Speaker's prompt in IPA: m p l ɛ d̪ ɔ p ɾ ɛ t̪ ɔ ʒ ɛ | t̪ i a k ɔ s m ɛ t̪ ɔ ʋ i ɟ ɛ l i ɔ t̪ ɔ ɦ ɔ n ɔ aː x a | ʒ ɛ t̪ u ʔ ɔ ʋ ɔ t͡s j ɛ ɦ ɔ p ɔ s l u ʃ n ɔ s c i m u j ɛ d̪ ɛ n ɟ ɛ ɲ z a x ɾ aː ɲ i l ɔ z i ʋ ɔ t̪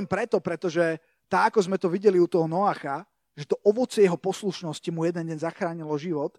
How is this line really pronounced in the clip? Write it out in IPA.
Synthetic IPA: m p ɾ ɛ t̪ ɔ p ɾ ɛ t̪ ɔ ʒ ɛ | t̪ a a k ɔ z m ɛ t̪ ɔ ʋ i ɟ ɛ l i u t̪ ɔ ɦ ɔ n ɔ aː x a | ʒ ɛ t̪ ɔ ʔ ɔ ʋ ɔ t͡s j ɛ ɦ ɔ p ɔ s l u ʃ n ɔ s c i m u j ɛ d̪ ɛ n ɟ ɛ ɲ z a x ɾ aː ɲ i l ɔ ʒ i ʋ ɔ t̪